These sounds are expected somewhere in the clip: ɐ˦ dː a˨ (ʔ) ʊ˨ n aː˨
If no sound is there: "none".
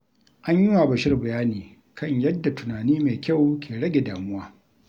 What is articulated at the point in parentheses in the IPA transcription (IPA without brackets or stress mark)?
t